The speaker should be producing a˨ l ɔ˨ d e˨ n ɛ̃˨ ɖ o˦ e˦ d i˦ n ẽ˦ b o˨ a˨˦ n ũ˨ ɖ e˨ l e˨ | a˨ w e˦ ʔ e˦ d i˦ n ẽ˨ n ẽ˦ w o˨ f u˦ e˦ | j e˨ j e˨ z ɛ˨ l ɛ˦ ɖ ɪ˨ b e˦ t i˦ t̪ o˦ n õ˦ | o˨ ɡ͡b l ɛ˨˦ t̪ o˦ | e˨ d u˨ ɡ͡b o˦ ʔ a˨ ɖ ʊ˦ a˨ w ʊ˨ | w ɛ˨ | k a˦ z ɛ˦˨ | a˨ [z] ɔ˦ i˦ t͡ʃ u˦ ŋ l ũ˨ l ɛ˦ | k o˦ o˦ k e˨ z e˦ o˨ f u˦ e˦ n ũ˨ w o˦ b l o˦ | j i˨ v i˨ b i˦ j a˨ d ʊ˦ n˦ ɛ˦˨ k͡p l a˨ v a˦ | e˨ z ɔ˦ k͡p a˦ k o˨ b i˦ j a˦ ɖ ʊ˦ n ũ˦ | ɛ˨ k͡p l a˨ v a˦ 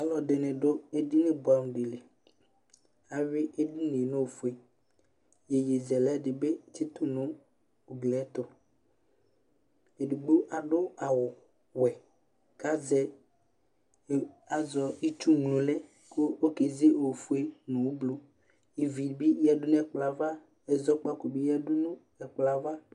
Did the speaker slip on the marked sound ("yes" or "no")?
no